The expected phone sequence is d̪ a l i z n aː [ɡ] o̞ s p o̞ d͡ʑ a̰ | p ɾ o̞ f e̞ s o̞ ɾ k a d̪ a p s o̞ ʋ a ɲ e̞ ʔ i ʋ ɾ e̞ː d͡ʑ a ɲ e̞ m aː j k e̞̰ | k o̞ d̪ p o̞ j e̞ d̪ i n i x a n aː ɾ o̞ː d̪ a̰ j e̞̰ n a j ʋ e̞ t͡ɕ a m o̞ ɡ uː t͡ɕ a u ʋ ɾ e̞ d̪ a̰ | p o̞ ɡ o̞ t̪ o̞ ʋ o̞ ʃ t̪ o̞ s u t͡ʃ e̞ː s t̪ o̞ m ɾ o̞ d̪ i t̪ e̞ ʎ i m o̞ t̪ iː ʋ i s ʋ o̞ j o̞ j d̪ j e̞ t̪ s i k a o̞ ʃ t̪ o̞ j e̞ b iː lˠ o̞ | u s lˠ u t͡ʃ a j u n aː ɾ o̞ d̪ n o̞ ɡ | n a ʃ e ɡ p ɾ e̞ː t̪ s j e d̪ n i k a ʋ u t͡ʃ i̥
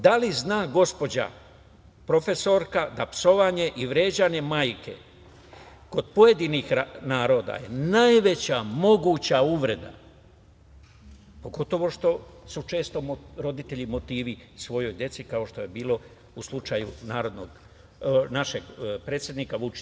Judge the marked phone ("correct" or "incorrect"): correct